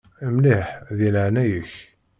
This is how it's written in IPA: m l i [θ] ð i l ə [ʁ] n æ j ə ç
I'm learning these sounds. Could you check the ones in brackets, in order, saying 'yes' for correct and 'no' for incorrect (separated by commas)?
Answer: no, no